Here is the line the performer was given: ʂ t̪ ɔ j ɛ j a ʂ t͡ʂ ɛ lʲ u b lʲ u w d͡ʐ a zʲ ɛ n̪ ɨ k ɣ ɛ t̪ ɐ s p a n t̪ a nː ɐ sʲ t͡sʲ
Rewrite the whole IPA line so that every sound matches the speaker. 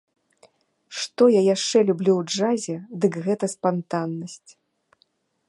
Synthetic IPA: ʂ t̪ ɔ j a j a ʂ t͡ʂ ɛ lʲ u b lʲ u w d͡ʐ a zʲ ɛ d̪ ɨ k ɣ ɛ t̪ ɐ s p a n t̪ a nː ɐ sʲ t͡sʲ